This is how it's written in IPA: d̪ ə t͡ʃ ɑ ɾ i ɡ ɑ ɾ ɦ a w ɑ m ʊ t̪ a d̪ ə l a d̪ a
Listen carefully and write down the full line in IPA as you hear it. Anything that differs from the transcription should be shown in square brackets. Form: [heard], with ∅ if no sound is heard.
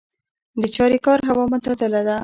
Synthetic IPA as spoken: d̪ ə t͡ʃ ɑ ɾ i [k] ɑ ɾ ɦ a w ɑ m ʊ t̪ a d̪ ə l a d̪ a